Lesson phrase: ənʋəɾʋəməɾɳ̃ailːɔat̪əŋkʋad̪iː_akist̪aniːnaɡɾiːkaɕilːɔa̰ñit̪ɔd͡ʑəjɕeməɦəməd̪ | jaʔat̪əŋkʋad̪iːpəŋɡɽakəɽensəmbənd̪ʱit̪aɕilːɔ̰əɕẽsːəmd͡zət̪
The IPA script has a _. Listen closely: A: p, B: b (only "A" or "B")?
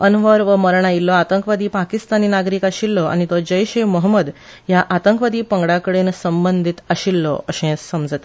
A